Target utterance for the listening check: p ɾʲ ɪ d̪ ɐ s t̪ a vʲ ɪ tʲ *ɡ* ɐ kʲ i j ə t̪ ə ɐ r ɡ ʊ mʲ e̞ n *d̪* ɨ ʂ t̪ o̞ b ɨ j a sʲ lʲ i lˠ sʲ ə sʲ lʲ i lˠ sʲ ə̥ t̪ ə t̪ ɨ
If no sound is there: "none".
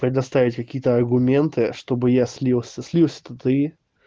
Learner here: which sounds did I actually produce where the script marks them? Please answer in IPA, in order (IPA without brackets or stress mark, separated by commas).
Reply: k, t̪